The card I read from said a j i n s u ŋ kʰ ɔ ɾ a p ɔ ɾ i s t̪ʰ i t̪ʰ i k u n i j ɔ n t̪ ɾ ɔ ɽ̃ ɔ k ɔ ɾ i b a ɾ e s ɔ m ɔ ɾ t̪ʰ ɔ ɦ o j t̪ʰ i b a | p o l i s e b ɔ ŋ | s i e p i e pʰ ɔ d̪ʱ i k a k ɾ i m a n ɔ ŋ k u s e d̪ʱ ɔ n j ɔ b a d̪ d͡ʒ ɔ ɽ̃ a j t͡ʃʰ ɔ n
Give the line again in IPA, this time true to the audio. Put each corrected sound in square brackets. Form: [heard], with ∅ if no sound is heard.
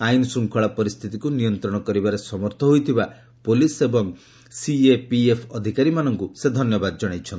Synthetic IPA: a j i n s u ŋ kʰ ɔ [ɭ] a p ɔ ɾ i s t̪ʰ i [t̪] i k u n i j ɔ n t̪ ɾ ɔ ɽ̃ ɔ k ɔ ɾ i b a ɾ e s ɔ m ɔ ɾ t̪ʰ ɔ ɦ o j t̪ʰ i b a | p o l i s e b ɔ ŋ | s i e p i e pʰ ɔ d̪ʱ i k a [∅] ɾ i m a n ɔ ŋ k u s e d̪ʱ ɔ n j ɔ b a d̪ d͡ʒ ɔ ɽ̃ a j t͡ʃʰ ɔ n